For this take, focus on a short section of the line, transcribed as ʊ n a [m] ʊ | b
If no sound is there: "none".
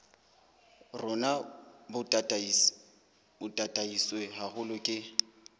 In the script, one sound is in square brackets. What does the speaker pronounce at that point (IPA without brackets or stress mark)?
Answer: b